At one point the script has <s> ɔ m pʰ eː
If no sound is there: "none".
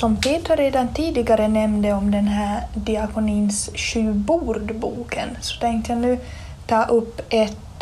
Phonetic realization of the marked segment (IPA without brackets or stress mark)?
s